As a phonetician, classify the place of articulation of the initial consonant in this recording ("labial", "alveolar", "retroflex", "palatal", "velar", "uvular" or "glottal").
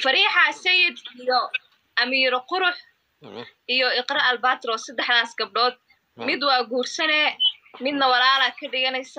labial